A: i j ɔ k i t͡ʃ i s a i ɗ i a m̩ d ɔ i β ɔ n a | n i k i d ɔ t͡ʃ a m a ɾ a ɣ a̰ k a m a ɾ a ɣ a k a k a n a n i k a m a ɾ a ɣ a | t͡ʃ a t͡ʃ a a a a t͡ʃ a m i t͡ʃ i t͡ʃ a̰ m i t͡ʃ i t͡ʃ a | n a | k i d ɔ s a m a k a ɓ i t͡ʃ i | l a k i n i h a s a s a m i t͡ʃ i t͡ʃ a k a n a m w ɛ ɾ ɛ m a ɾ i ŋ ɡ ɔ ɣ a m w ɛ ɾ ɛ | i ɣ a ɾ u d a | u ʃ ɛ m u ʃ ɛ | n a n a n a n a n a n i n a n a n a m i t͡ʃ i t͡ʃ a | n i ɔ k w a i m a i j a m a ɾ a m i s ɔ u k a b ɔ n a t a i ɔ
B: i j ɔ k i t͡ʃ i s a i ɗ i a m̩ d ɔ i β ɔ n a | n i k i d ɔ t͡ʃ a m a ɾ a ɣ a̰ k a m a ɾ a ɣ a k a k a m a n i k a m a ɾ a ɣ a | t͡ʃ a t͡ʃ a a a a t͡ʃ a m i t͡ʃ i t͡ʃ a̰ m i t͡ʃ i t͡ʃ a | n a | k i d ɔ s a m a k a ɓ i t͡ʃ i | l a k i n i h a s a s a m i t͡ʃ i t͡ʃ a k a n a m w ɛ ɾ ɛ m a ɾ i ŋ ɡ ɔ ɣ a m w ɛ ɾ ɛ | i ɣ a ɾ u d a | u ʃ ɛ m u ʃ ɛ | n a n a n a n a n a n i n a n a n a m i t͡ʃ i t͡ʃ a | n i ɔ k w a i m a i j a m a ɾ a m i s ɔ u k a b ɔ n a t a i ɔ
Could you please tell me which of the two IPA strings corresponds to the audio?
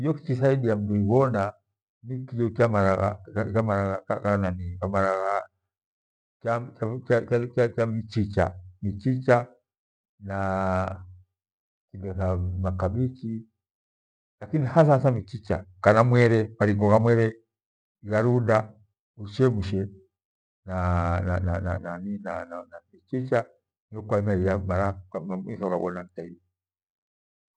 A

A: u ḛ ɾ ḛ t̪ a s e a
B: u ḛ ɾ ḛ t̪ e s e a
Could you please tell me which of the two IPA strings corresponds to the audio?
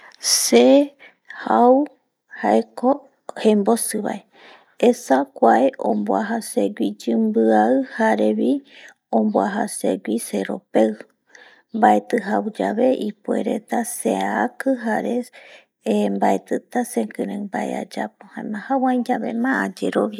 A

